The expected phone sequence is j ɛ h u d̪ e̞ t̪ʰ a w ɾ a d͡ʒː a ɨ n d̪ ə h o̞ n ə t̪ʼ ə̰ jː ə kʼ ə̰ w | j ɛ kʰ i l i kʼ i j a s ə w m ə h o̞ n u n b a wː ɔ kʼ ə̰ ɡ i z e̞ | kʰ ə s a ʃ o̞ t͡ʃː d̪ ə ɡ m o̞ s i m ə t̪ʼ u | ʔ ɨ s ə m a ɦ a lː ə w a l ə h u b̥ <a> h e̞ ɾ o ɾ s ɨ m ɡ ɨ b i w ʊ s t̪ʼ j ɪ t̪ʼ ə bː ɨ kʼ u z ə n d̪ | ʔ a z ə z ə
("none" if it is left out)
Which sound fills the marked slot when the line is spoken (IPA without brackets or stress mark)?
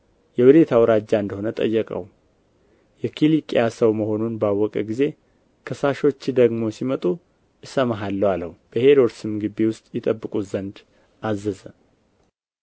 ə